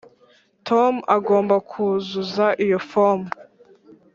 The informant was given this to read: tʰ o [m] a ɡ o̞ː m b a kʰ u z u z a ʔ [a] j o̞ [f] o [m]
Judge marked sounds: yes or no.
yes, no, yes, yes

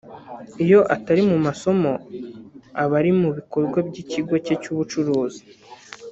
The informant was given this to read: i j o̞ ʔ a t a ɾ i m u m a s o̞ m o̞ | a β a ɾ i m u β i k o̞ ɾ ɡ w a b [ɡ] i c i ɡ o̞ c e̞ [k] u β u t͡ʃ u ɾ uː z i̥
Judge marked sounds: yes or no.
no, no

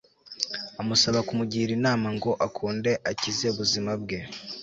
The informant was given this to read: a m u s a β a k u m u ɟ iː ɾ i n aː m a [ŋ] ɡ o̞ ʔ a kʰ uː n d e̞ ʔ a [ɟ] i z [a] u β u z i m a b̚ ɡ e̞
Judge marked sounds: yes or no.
yes, no, no

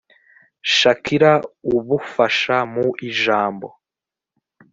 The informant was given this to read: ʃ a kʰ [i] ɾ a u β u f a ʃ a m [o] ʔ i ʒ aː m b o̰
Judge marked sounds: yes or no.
yes, no

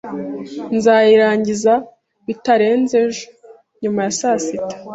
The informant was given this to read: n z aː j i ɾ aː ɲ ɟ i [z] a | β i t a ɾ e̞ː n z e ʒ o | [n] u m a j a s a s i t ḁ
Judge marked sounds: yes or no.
yes, no

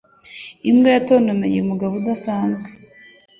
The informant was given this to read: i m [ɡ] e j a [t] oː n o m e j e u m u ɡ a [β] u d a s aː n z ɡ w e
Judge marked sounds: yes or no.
yes, yes, yes

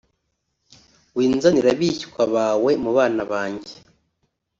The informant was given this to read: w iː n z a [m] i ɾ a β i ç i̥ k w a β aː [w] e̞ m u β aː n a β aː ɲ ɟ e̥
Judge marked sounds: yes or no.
no, yes

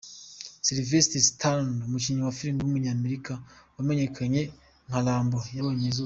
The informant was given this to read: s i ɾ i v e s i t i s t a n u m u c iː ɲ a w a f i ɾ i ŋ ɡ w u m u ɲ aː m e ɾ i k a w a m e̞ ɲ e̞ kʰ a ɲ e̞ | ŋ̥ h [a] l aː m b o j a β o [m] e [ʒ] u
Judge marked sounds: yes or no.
yes, no, no

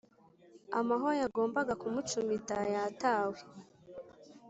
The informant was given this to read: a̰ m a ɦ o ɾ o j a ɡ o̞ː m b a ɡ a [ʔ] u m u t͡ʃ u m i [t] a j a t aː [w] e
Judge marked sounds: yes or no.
no, yes, yes

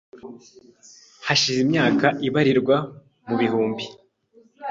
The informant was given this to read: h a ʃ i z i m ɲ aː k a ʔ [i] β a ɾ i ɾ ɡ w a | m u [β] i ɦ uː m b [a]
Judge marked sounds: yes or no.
yes, yes, no

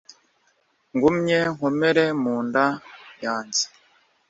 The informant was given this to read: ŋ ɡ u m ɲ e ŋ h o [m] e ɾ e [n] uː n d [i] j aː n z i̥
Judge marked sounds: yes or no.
yes, no, no

